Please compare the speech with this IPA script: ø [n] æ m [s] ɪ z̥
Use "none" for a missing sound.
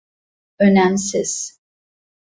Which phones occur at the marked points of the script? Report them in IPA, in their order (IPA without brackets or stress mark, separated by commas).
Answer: n, s